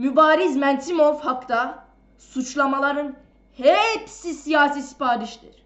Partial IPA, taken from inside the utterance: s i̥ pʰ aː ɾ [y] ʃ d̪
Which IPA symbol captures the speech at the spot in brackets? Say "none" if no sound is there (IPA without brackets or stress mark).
i